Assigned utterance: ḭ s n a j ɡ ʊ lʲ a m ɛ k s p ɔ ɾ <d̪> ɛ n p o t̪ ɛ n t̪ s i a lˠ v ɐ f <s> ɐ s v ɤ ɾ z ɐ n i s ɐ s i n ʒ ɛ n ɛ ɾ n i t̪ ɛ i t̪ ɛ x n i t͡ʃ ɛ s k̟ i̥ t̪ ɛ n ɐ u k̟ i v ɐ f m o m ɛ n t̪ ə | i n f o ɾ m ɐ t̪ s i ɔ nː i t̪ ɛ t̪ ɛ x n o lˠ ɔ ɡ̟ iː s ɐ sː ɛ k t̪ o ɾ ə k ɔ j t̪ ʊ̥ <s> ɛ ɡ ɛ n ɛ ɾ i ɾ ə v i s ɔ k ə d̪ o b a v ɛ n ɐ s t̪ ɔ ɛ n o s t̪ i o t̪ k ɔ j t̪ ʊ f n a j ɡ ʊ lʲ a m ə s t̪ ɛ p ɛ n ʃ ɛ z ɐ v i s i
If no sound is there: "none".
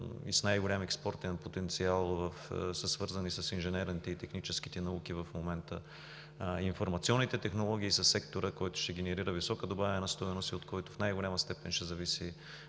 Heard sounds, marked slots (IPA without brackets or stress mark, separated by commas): t̪, s, ʃ